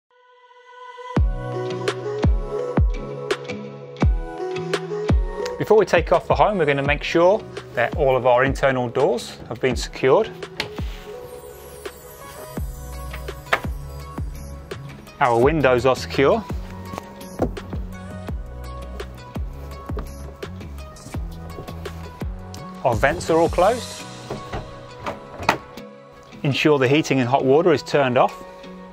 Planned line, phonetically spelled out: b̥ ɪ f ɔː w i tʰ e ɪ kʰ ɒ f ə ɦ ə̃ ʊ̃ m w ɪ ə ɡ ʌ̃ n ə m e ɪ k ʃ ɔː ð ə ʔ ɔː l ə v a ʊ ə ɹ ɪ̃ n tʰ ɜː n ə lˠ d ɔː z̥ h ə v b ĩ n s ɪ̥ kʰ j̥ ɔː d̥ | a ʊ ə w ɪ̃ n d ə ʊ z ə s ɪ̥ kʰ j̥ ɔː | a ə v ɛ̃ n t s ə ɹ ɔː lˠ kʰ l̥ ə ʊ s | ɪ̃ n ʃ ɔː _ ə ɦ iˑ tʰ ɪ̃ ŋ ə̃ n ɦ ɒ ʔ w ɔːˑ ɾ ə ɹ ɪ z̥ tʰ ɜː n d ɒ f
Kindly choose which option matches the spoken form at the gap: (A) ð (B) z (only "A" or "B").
A